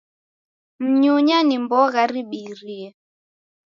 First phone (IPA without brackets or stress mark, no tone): m̩